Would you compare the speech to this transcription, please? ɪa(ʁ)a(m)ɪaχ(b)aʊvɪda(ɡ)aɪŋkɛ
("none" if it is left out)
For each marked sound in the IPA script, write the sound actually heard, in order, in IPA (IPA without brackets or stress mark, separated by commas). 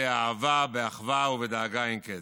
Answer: v, b, v, ɡ